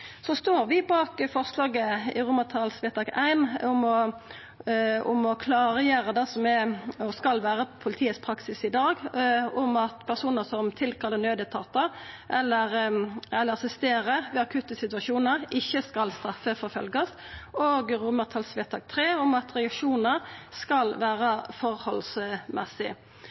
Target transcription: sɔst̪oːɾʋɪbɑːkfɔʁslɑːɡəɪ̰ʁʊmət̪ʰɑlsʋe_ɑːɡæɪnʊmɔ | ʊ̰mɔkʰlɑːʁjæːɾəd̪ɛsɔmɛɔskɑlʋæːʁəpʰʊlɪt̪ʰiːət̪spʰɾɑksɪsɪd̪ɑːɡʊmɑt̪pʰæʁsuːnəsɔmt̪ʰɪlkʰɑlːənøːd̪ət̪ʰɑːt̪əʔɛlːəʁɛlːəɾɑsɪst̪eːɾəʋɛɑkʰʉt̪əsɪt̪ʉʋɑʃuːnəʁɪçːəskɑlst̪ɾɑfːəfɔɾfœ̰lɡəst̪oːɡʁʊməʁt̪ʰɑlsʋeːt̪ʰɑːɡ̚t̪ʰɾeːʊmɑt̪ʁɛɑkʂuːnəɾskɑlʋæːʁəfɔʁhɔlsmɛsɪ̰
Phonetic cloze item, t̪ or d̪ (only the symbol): t̪